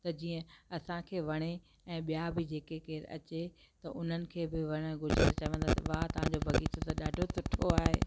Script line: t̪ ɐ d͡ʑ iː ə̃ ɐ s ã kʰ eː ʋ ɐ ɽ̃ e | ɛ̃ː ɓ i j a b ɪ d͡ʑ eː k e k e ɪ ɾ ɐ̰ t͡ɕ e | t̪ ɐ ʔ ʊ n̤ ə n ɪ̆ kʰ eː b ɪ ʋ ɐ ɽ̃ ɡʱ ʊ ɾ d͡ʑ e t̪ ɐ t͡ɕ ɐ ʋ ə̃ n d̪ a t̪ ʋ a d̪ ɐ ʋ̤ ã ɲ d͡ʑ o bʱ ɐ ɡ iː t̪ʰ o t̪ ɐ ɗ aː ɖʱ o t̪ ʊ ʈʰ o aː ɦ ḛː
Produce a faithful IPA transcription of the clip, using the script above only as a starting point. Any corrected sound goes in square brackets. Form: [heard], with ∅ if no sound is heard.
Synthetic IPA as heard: t̪ ɐ d͡ʑ iː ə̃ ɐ s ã kʰ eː ʋ ɐ ɽ̃ e | ɛ̃ː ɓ i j a b ɪ d͡ʑ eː k e k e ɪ ɾ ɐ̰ t͡ɕ e | t̪ ɐ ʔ ʊ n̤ ə n ɪ̆ kʰ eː b ɪ ʋ ɐ ɽ̃ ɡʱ ʊ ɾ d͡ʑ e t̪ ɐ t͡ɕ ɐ ʋ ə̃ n d̪ a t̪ ʋ a [t̪] ɐ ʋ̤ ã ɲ d͡ʑ o bʱ ɐ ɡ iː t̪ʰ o t̪ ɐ ɗ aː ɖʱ o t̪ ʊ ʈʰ o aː ɦ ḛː

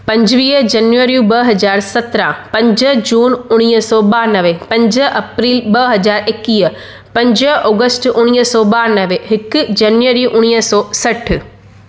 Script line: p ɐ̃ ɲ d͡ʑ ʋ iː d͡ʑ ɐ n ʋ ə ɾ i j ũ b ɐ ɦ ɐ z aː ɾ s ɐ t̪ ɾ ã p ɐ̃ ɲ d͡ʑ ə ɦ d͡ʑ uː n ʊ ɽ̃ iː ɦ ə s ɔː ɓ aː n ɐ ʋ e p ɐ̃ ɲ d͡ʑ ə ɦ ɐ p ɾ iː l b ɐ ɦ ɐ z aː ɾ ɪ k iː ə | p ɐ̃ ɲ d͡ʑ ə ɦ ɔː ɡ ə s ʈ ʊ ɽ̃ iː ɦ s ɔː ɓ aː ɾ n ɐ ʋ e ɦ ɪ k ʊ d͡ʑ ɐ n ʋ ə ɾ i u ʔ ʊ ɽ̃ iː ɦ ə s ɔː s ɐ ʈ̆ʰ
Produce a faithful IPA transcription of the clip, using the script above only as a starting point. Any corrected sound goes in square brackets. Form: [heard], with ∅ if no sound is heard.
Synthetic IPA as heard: p ɐ̃ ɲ d͡ʑ ʋ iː d͡ʑ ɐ n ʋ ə ɾ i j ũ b ɐ ɦ ɐ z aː ɾ s ɐ t̪ ɾ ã p ɐ̃ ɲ d͡ʑ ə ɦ d͡ʑ uː n ʊ ɽ̃ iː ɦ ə s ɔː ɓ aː n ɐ ʋ e p ɐ̃ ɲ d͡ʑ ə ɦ ɐ p ɾ iː l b ɐ ɦ ɐ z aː ɾ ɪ k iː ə | p ɐ̃ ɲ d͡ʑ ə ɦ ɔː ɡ ə s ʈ ʊ ɽ̃ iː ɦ s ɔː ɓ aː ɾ n ɐ ʋ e ɦ ɪ k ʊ d͡ʑ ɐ n ʋ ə ɾ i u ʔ ʊ ɽ̃ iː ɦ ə s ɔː s ɐ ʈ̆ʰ

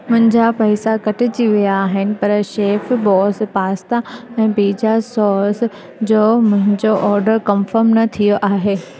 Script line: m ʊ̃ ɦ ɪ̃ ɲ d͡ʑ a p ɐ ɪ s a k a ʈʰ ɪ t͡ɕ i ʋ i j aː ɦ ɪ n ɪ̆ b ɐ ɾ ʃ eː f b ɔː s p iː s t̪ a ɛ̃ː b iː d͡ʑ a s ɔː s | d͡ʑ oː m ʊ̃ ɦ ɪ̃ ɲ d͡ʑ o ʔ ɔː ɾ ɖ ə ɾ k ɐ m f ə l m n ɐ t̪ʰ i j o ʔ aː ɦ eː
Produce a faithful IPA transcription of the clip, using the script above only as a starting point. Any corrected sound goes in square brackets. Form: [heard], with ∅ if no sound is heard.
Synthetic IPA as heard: m ʊ̃ ɦ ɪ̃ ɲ d͡ʑ a p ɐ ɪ s a k [ɐ] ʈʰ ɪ t͡ɕ i ʋ i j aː ɦ ɪ n ɪ̆ [p] ɐ ɾ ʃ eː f b ɔː s p [aː] s t̪ a ɛ̃ː b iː d͡ʑ a s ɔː s | d͡ʑ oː m ʊ̃ ɦ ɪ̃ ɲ d͡ʑ o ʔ ɔː ɾ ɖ ə ɾ k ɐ m f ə [ɾ] m n ɐ t̪ʰ i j o ʔ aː ɦ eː

